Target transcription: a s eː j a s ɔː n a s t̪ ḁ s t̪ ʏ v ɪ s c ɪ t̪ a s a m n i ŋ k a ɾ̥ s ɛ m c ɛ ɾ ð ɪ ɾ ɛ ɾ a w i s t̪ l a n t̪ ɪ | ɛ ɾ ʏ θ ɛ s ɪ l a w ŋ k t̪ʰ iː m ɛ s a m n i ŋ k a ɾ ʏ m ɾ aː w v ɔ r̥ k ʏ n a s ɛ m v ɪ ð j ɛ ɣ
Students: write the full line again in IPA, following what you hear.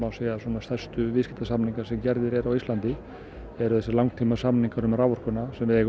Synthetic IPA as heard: a s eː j a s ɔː n a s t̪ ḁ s t̪ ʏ v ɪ s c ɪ t̪ a s a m n i ŋ k a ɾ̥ s ɛ m c ɛ ɾ ð ɪ ɾ ɛ ɾ a w i s t̪ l a n t̪ ɪ | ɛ ɾ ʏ θ ɛ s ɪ l a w ŋ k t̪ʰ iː m a s a m n i ŋ k a ɾ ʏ m ɾ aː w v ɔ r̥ k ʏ n a s ɛ m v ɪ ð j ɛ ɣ